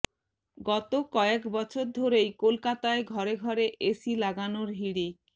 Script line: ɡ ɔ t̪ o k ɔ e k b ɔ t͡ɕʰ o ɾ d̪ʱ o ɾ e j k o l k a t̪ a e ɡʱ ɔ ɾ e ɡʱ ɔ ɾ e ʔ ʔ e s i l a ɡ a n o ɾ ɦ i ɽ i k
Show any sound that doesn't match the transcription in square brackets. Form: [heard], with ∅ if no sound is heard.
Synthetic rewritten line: ɡ ɔ t̪ o k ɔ e k b ɔ t͡ɕʰ o ɾ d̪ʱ o ɾ e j k o l k a t̪ a e ɡʱ ɔ ɾ e ɡʱ ɔ ɾ e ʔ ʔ e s i l a ɡ a n o ɾ ɦ i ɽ i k